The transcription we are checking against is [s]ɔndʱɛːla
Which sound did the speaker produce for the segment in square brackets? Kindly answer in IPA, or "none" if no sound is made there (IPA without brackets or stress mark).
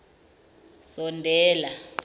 s